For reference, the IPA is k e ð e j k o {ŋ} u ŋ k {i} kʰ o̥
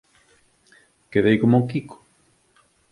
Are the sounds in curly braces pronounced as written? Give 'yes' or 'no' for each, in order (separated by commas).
no, yes